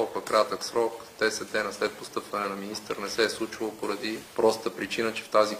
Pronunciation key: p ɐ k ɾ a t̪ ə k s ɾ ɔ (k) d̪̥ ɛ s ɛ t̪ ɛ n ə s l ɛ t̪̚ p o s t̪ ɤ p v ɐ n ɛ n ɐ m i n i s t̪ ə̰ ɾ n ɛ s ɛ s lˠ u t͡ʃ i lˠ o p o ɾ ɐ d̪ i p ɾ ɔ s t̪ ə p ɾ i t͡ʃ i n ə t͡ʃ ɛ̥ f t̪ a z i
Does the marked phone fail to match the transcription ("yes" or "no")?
no